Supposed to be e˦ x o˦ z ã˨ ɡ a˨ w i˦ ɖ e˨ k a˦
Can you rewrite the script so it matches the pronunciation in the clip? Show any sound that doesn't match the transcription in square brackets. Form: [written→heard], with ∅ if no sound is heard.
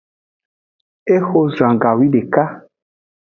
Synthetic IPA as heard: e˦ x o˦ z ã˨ ɡ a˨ w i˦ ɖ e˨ k a˦